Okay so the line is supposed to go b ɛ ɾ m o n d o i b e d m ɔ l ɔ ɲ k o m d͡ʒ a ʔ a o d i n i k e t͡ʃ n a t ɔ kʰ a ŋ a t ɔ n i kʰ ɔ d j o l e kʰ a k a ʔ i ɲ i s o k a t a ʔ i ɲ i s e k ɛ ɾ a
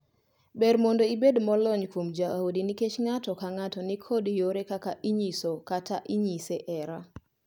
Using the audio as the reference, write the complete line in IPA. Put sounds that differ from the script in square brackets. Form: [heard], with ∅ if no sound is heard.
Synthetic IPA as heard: b ɛ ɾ m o n d o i b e d m ɔ l ɔ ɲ k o m d͡ʒ a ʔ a o d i n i k e t͡ʃ [ŋ] a t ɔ [k] a ŋ a t ɔ n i kʰ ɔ d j o [ɾ] e [k] a k a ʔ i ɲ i s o k a t a ʔ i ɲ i s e [ʔ] ɛ ɾ a